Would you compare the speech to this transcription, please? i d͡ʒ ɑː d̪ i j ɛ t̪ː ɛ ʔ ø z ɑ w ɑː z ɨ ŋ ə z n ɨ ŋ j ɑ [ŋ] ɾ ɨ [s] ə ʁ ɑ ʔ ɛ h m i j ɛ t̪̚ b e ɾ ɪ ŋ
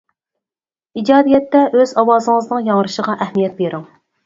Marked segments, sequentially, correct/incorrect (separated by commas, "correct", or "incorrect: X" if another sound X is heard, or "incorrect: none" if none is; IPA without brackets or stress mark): correct, incorrect: ʃ